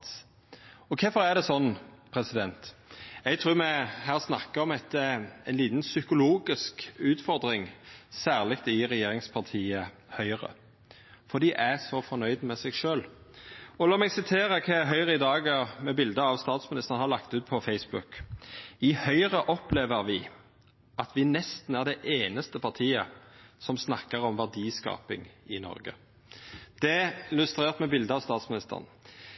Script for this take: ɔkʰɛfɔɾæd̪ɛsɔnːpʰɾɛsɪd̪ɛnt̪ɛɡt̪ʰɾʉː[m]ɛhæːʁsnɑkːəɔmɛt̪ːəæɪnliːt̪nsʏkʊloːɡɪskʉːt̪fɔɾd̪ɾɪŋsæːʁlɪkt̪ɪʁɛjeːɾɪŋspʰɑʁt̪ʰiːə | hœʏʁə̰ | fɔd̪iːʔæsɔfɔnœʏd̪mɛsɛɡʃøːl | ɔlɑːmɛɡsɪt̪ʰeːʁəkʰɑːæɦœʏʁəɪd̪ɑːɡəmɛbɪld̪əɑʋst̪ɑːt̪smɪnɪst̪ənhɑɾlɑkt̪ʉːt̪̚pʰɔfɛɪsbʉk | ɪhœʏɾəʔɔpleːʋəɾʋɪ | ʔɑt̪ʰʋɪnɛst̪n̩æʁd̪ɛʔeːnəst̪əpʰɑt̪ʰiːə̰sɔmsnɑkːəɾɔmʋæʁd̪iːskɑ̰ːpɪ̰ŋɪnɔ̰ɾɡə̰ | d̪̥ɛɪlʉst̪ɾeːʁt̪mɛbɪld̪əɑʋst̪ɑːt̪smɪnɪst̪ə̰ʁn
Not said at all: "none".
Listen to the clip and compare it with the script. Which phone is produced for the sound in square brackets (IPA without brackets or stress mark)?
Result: m